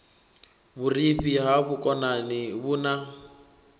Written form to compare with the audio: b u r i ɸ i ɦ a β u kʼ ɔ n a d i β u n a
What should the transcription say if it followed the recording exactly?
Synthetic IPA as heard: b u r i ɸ i ɦ a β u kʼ ɔ n a n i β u n a